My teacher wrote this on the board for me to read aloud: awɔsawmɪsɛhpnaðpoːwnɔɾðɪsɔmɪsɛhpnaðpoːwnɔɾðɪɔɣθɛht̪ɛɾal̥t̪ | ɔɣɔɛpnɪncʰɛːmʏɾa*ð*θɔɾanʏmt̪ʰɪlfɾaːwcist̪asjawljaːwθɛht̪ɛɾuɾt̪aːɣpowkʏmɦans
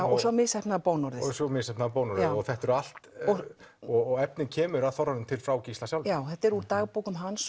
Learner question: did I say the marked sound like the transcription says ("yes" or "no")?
yes